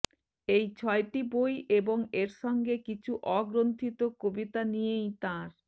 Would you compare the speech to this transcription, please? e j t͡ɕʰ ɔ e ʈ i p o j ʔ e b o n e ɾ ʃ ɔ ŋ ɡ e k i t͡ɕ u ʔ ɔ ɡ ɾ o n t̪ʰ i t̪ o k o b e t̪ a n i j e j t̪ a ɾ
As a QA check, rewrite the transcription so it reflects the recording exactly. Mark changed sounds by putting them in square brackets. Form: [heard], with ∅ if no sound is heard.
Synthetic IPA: e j t͡ɕʰ ɔ e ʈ i [b] o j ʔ e b o [ŋ] e ɾ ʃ ɔ ŋ ɡ e k i [t͡ɕʰ] u ʔ ɔ ɡ ɾ o n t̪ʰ i t̪ o k o b [i] t̪ a n i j e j t̪ a ɾ